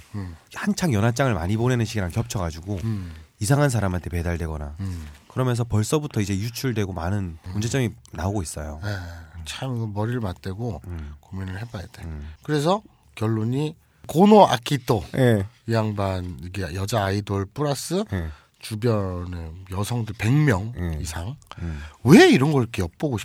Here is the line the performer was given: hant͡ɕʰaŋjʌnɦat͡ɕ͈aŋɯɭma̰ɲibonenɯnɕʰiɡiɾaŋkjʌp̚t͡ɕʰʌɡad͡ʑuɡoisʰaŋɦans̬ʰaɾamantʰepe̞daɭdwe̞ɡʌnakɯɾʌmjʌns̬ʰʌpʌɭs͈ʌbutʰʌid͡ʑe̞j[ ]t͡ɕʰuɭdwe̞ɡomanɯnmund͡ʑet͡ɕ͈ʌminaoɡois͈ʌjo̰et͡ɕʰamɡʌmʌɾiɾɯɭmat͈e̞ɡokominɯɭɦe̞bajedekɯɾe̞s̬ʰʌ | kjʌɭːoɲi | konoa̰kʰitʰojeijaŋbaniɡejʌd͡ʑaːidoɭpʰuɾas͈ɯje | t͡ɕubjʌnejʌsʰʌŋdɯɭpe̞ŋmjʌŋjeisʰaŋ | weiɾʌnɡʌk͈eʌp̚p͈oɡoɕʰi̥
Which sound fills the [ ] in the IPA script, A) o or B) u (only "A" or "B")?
B